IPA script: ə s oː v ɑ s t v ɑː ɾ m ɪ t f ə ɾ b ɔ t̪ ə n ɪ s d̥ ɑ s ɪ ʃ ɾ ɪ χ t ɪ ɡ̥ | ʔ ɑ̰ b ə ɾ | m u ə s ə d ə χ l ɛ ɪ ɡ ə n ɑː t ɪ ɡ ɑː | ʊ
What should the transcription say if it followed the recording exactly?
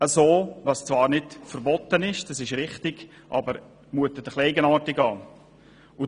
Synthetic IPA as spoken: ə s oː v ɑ s t͡s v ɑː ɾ n ɪ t f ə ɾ b ɔ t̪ ə n ɪ ʃ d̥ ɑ s ɪ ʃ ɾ ɪ χ t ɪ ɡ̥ | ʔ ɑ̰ b ə ɾ | m u ə t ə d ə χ l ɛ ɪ ɡ ə n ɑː t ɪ ɡ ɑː | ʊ